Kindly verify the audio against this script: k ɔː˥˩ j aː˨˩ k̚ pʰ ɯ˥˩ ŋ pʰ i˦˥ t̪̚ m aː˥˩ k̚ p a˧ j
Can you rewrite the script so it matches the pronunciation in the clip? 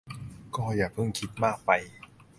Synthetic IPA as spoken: k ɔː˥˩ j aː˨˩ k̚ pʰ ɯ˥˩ ŋ kʰ i˦˥ t̪̚ m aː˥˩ k̚ p a˧ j